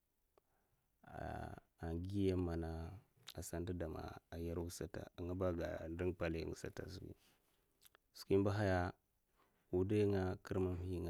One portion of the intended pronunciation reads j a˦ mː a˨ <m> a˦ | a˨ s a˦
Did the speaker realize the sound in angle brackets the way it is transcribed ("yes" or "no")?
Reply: no